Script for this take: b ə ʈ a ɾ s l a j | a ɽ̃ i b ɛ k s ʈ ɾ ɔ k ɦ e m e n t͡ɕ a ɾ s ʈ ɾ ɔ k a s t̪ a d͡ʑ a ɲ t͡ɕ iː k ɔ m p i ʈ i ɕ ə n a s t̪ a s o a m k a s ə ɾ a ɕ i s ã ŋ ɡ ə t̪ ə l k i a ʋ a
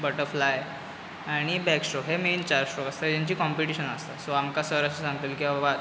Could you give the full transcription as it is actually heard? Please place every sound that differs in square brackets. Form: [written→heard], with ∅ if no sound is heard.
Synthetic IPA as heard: b ə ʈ [a→ə] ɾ [s→f] l a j | a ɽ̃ i b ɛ k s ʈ ɾ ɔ k ɦ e m e n t͡ɕ a ɾ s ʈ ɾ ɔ k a s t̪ a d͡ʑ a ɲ t͡ɕ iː k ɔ m p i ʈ i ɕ ə n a s t̪ a s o a m k a s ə ɾ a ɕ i s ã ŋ ɡ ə t̪ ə l k i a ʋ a